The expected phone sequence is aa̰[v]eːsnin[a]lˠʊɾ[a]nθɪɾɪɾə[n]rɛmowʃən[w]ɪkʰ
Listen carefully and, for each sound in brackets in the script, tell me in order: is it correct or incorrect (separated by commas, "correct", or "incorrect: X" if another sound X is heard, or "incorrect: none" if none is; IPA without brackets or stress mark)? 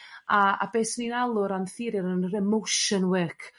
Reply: incorrect: b, correct, correct, correct, correct